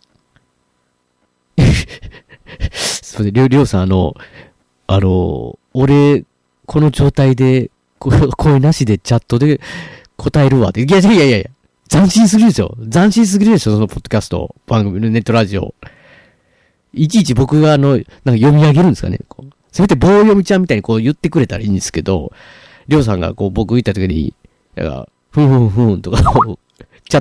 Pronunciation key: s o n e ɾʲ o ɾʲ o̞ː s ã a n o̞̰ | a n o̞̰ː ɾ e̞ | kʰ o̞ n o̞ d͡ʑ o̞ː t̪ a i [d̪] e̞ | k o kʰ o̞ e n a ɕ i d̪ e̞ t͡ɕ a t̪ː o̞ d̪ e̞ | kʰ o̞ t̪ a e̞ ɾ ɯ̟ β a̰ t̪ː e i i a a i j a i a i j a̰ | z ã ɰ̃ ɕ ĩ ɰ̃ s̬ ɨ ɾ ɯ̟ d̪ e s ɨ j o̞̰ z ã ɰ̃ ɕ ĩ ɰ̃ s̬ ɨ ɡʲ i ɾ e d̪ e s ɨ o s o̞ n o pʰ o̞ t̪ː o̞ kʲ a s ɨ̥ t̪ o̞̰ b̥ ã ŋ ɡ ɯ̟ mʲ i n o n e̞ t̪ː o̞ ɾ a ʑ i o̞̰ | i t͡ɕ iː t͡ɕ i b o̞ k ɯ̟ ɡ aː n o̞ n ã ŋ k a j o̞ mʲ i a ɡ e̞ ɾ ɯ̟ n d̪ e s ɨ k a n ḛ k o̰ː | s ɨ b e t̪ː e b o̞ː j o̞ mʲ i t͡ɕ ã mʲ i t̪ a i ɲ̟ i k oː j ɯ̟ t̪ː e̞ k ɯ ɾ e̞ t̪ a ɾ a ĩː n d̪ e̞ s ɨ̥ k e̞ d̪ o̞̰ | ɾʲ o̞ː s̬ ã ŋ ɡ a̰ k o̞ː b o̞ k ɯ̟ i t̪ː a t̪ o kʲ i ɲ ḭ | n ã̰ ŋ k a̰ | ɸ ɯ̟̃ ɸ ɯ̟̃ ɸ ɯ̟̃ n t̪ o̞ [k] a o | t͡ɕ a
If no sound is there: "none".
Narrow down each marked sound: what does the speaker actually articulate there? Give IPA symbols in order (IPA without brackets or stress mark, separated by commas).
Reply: d̪, k